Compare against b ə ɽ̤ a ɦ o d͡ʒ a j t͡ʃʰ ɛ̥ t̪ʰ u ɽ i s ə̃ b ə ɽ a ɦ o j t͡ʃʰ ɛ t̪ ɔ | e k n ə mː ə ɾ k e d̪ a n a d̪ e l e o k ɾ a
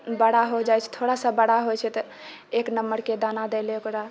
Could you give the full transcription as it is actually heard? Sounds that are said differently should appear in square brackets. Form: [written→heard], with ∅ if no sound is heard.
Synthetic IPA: b ə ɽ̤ a ɦ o d͡ʒ a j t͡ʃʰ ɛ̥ t̪ʰ [u→o] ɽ [i→a] s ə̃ b ə ɽ a ɦ o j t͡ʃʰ ɛ t̪ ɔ | e k n ə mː ə ɾ k e d̪ a n a d̪ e l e o k ɾ a